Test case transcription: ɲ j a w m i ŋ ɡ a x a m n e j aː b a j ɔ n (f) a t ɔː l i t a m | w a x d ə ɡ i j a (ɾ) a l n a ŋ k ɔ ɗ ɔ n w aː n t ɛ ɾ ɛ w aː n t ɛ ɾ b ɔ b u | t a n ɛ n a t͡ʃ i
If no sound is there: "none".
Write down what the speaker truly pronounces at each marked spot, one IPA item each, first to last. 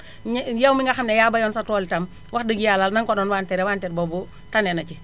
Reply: s, l

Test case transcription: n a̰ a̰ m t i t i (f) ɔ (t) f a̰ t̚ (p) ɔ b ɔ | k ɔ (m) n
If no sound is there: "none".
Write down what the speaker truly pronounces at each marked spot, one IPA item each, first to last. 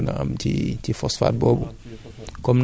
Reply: f, s, b, m

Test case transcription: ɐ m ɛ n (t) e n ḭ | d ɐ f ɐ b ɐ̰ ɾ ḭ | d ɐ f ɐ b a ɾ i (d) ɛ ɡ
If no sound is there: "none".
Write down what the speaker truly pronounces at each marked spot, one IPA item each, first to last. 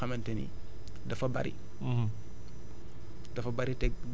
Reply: t, t

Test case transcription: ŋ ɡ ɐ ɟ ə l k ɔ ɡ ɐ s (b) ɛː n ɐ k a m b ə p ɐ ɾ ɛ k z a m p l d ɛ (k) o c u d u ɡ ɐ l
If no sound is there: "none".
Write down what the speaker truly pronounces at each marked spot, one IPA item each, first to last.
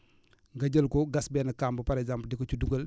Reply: b, k

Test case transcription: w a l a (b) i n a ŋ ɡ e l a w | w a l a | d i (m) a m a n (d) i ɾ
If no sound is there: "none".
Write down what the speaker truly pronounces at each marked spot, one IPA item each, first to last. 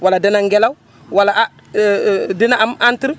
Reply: d, n, t

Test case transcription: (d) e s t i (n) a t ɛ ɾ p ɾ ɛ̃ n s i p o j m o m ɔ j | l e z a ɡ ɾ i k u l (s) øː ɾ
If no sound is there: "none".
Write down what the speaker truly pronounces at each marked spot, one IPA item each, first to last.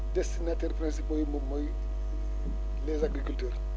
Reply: d, n, t

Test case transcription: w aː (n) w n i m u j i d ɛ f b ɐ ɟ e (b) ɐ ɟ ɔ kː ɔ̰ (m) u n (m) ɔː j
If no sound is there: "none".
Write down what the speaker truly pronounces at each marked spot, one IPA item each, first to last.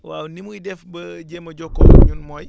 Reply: none, m, ɲ, m

